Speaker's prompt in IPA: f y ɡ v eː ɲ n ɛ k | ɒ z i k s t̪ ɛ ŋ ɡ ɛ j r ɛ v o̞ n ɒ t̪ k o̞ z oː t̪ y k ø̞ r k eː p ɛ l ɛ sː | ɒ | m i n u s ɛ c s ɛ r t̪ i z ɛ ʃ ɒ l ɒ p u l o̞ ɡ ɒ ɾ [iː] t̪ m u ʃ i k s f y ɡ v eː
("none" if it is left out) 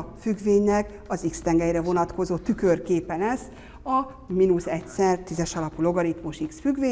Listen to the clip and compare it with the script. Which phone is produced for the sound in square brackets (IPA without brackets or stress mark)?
i